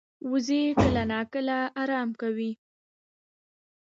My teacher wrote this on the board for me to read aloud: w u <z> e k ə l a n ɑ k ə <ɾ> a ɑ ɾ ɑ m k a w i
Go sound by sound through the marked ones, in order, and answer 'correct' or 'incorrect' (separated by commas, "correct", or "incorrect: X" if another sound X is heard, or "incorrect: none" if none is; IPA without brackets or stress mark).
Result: correct, incorrect: l